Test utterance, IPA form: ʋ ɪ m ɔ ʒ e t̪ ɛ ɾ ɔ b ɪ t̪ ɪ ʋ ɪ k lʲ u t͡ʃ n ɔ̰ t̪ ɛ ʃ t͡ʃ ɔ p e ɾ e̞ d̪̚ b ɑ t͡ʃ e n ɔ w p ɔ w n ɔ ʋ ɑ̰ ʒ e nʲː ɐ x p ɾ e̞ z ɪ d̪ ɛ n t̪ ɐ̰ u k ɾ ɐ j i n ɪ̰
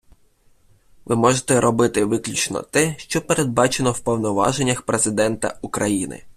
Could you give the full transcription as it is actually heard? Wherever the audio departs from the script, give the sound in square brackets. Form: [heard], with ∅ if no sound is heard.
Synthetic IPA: ʋ ɪ m ɔ ʒ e t̪ ɛ ɾ ɔ b ɪ t̪ ɪ ʋ ɪ k lʲ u t͡ʃ n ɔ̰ t̪ ɛ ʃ t͡ʃ ɔ p e ɾ e̞ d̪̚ b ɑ t͡ʃ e n ɔ w p ɔ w n ɔ ʋ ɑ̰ ʒ e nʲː ɐ x p ɾ e̞ z ɪ d̪ ɛ n t̪ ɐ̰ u k ɾ ɐ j i n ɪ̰